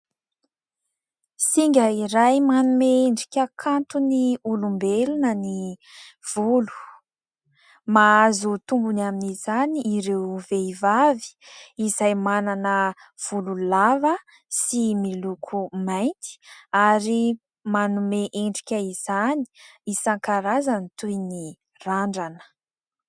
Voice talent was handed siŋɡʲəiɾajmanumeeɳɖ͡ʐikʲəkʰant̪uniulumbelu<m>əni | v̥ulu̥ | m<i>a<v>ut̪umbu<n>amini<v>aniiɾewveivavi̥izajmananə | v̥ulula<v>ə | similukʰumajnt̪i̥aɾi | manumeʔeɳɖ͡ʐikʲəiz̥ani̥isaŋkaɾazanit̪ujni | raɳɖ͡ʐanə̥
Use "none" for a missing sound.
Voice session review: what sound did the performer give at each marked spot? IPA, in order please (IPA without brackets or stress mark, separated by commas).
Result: n, a, z, n, z, v